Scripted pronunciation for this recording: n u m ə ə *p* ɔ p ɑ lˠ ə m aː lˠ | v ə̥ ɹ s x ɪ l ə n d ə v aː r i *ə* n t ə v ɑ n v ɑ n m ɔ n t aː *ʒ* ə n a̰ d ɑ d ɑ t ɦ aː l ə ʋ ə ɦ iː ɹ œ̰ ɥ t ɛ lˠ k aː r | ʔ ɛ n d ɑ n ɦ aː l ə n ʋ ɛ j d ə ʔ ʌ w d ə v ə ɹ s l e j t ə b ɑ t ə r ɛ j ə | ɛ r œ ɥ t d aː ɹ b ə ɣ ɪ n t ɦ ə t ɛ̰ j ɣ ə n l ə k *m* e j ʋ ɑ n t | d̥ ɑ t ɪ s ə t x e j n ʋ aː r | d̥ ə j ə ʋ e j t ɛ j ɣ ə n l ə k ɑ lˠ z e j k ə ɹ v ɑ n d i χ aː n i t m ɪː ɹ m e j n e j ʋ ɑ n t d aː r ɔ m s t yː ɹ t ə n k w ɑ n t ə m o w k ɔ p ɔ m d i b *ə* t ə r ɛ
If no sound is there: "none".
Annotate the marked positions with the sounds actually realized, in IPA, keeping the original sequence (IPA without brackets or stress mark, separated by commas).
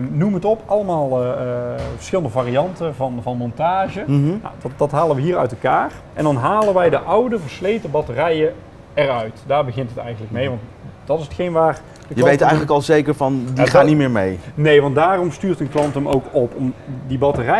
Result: t, ɑ, ʒ, m, ɑ